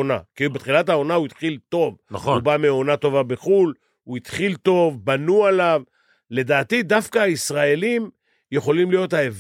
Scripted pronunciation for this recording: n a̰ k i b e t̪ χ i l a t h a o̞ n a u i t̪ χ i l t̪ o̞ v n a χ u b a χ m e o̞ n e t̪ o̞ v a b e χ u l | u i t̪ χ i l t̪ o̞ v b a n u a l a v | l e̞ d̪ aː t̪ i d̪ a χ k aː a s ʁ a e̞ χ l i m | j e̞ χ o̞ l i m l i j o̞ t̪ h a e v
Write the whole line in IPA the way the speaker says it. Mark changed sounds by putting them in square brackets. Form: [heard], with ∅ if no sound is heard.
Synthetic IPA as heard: n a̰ k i b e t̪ χ i l a t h a o̞ n a u i t̪ χ i l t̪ o̞ v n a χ u b a [∅] m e o̞ n [a] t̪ o̞ v a b e χ u l | u i t̪ χ i l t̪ o̞ v b a n u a l a v | l e̞ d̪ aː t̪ i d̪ a [f] k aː [i] s ʁ a e̞ [∅] l i m | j e̞ χ o̞ l i m l i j o̞ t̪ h a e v